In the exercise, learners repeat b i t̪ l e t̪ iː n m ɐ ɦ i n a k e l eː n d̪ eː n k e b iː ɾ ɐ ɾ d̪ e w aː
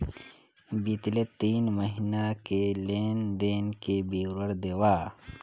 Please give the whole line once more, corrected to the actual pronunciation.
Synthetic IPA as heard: b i t̪ l e t̪ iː n m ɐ ɦ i n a k e l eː n d̪ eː n k e b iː ɾ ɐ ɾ d̪ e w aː